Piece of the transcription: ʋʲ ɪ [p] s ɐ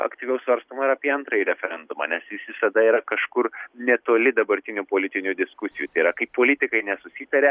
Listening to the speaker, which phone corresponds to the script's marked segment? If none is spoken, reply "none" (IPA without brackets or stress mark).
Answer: none